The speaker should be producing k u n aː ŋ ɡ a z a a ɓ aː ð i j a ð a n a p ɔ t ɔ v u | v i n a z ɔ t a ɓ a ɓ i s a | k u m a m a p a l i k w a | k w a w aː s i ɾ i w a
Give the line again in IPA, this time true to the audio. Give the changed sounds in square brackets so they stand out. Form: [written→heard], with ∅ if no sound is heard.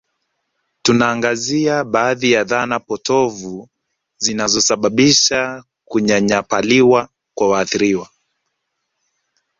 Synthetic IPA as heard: [k→t] u n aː ŋ ɡ a z [a→i] a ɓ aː ð i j a ð a n a p ɔ t ɔ v u | [v→z] i n a z ɔ [t→s] a ɓ a ɓ i [s→ʃ] a | k u [m→ɲ] a [m→ɲ] a p a l i [k→∅] w a | k w a w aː [s→θ] i ɾ i w a